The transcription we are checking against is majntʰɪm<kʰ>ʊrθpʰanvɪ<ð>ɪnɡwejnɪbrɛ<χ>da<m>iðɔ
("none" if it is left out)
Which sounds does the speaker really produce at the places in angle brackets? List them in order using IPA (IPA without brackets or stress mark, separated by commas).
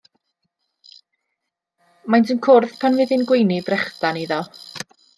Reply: kʰ, ð, χ, n